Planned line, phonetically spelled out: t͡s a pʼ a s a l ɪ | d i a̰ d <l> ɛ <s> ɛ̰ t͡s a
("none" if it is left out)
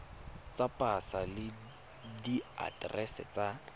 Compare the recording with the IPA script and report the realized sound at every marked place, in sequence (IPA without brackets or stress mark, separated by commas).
r, s